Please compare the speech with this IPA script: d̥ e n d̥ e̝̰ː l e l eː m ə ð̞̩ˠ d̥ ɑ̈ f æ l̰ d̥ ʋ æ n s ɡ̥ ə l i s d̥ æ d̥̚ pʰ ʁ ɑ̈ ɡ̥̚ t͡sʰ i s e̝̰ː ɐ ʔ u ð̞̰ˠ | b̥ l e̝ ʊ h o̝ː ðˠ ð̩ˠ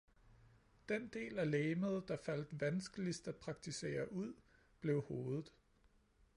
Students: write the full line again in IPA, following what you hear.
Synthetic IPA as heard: d̥ e n d̥ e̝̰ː l æ l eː m ə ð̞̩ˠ d̥ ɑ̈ f æ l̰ d̥ ʋ æ n s ɡ̥ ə l i s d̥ æ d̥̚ pʰ ʁ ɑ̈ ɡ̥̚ t͡sʰ i s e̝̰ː ɐ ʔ u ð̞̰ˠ | b̥ l e̝ ʊ h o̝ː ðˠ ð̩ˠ